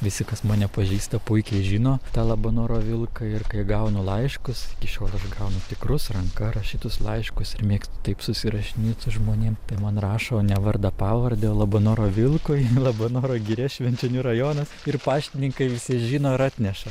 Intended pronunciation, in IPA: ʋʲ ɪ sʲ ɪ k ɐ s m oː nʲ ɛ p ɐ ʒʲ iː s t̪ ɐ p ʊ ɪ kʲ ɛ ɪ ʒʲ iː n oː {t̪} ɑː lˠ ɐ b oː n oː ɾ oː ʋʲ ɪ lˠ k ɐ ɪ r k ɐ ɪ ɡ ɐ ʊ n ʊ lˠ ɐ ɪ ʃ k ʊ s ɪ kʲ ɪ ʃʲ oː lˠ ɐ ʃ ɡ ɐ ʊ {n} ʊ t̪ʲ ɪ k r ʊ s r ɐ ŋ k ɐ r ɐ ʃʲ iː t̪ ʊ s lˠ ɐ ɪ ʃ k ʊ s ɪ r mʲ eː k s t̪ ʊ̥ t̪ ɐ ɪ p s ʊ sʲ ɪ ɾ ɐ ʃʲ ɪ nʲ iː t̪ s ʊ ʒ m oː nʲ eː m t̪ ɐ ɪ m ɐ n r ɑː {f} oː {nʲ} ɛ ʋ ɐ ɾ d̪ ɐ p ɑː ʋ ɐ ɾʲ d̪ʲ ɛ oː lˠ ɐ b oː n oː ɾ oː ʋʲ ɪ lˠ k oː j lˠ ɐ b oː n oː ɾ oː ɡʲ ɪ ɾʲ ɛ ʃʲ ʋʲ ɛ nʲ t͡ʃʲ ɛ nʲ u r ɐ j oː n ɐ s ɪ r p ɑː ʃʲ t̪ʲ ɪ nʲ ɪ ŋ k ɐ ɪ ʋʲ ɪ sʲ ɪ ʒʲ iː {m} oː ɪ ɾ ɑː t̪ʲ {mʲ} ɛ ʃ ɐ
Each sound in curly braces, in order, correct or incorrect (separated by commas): correct, correct, incorrect, correct, incorrect, incorrect